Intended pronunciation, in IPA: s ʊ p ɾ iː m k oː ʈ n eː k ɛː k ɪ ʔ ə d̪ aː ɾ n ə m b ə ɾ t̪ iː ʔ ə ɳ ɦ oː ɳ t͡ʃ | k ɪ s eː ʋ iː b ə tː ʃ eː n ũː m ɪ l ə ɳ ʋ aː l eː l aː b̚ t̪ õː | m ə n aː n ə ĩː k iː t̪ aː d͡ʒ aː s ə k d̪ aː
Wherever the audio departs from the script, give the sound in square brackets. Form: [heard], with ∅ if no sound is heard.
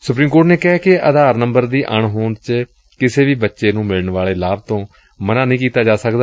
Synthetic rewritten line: s ʊ p ɾ iː m k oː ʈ n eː k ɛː k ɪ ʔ ə d̪ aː ɾ n ə m b ə ɾ [d̪] iː ʔ ə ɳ ɦ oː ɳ t͡ʃ | k ɪ s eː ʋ iː b ə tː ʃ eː n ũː m ɪ l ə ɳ ʋ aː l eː l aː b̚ t̪ õː | m ə n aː n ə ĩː k iː t̪ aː d͡ʒ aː s ə k d̪ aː